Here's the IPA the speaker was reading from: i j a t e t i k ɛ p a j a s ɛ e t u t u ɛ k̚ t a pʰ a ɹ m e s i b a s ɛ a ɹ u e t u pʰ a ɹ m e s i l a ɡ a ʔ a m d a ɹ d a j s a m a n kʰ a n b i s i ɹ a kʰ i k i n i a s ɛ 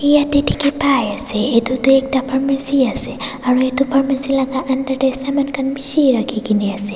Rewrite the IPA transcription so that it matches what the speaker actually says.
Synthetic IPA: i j a t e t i k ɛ p a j a s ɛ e t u t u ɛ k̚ t a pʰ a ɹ m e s i a s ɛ a ɹ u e t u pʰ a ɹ m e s i l a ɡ a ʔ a n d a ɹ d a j s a m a n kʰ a n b i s i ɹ a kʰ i k i n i a s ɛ